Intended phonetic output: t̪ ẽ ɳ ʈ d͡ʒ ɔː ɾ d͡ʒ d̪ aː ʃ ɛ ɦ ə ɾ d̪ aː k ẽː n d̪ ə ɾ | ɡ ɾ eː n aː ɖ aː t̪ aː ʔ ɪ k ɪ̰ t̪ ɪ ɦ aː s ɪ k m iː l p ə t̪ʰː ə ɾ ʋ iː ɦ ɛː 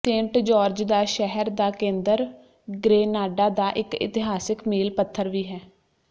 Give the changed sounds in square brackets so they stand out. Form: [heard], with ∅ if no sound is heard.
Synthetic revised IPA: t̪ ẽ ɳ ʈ d͡ʒ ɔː ɾ d͡ʒ d̪ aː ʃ ɛ ɦ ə ɾ d̪ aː k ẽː n d̪ ə ɾ | ɡ ɾ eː n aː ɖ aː [d̪] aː ʔ ɪ k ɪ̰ t̪ ɪ ɦ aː s ɪ k m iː l p ə t̪ʰː ə ɾ ʋ iː ɦ ɛː